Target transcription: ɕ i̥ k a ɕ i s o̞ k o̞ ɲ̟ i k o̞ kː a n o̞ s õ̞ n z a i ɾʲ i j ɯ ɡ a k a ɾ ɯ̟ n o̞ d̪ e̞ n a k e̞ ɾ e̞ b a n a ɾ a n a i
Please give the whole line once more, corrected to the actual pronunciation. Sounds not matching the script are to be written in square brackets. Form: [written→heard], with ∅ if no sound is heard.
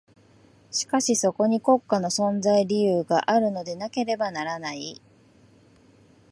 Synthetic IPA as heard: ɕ i̥ k a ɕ i s o̞ k o̞ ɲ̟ i k o̞ kː a n o̞ s õ̞ n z a i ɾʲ i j [ɯ→ɯː] ɡ a [k→ʔ] a ɾ ɯ̟ n o̞ d̪ e̞ n a k e̞ ɾ e̞ b a n a ɾ a n a i